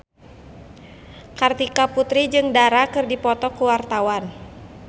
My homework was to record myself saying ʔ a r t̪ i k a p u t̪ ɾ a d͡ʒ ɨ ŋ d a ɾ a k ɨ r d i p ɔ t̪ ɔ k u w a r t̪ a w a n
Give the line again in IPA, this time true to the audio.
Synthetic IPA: k a r t̪ i k a p u t̪ ɾ i d͡ʒ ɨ ŋ d a ɾ a k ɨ r d i p ɔ t̪ ɔ k u w a r t̪ a w a n